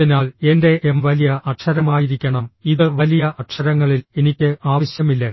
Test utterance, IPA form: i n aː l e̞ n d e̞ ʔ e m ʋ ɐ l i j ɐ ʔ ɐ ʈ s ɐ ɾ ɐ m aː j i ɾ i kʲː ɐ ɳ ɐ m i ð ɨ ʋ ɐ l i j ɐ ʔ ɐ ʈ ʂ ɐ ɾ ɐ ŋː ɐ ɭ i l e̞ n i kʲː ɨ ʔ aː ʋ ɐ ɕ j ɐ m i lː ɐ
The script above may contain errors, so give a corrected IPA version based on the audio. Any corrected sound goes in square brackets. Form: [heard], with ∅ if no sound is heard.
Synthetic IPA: i n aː l e̞ n d e̞ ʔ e m ʋ ɐ l i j ɐ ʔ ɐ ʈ [ʂ] ɐ ɾ ɐ m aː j i ɾ i kʲː ɐ ɳ ɐ m i ð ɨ ʋ ɐ l i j ɐ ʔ ɐ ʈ ʂ ɐ ɾ ɐ ŋː ɐ ɭ i l e̞ n i kʲː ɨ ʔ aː ʋ ɐ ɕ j ɐ m i lː ɐ